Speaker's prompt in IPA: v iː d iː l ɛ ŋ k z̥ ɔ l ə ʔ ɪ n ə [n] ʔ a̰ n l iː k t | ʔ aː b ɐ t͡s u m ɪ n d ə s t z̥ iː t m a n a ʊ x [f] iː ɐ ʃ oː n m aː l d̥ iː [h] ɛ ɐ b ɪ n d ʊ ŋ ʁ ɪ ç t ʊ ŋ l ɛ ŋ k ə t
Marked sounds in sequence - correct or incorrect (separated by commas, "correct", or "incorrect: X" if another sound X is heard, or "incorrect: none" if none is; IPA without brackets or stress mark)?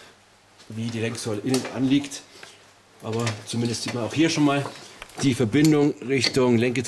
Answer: correct, incorrect: h, incorrect: f